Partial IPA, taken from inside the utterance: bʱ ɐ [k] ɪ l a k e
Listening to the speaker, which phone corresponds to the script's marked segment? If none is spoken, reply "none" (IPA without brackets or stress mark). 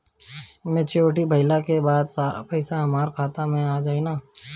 none